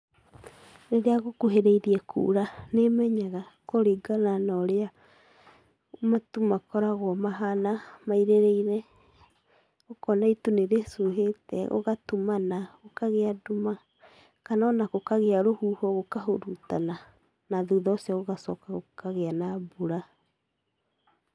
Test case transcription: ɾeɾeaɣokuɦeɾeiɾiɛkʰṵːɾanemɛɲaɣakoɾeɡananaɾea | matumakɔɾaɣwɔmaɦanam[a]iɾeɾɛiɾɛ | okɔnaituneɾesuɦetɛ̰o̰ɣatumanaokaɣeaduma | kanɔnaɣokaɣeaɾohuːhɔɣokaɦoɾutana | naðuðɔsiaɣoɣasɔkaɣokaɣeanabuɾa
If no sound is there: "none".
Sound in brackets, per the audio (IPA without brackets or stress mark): a